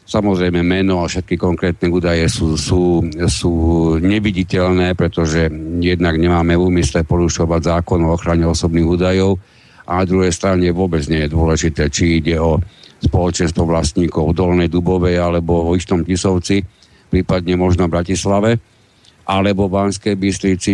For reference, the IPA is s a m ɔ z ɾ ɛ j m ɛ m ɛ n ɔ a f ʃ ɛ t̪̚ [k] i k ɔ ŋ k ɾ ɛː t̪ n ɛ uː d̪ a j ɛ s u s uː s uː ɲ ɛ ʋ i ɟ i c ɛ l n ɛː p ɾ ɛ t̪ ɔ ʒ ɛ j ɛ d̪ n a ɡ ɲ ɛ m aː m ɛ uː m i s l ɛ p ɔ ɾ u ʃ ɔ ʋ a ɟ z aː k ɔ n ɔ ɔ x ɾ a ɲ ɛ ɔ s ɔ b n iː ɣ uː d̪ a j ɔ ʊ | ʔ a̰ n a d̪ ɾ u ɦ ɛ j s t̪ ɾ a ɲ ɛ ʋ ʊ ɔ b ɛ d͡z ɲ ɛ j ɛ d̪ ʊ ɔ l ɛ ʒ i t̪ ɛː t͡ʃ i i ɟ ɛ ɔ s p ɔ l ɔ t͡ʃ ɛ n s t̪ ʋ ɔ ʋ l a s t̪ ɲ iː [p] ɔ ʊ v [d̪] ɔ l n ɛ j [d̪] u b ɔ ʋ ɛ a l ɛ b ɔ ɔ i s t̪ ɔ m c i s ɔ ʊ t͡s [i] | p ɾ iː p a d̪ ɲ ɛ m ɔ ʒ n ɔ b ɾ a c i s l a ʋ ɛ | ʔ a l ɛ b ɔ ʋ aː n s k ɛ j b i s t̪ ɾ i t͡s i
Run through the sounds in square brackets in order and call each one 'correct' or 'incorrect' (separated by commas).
correct, incorrect, correct, correct, correct